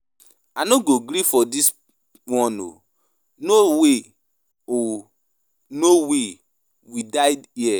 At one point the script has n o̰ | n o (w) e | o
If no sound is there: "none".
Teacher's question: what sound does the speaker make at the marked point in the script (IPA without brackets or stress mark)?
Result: w